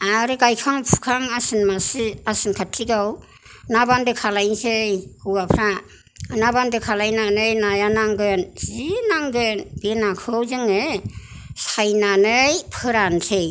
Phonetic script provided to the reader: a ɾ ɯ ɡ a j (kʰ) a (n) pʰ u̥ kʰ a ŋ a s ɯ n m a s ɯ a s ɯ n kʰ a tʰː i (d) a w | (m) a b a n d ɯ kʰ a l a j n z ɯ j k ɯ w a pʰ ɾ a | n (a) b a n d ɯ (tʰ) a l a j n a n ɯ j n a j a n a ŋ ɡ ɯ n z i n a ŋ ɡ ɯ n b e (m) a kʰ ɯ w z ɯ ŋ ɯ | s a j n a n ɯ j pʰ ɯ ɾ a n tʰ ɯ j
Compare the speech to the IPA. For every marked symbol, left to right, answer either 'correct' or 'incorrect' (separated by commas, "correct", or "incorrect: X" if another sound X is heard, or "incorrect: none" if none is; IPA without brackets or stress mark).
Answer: correct, incorrect: ŋ, incorrect: ɡ, incorrect: n, correct, incorrect: kʰ, incorrect: n